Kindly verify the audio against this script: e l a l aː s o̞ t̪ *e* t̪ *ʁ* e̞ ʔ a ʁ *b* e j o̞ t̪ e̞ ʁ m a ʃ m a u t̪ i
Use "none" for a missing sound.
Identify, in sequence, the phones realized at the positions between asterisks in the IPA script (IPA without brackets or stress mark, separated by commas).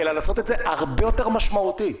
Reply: e, z, b